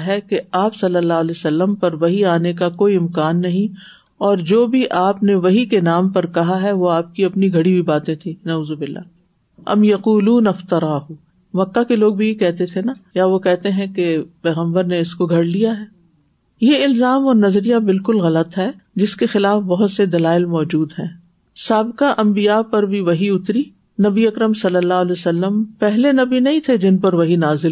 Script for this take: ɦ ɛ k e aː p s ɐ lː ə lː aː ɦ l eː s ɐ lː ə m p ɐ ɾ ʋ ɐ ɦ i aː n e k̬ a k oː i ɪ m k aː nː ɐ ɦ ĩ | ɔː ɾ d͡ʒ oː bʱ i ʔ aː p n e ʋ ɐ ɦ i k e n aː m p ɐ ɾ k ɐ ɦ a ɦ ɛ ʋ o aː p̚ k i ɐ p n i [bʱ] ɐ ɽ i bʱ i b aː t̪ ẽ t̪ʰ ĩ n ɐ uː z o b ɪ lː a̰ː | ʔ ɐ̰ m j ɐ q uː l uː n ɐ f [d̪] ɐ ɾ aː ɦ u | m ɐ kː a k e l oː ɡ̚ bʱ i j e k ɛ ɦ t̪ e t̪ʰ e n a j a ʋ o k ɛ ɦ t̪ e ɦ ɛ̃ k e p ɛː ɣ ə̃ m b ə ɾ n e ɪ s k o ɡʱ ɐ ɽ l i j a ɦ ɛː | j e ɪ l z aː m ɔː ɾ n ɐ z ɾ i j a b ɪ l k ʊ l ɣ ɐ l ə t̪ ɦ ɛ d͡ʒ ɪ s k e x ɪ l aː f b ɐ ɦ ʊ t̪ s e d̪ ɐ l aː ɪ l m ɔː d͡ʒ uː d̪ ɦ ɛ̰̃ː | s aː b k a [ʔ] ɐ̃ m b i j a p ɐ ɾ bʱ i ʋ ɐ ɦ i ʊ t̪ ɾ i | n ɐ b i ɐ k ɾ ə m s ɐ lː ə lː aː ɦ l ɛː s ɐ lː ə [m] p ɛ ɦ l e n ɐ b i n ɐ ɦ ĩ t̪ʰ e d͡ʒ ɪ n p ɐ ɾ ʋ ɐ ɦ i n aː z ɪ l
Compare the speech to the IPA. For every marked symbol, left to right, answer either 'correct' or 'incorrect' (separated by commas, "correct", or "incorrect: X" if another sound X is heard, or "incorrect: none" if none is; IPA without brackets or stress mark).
incorrect: ɡʱ, incorrect: t̪, correct, correct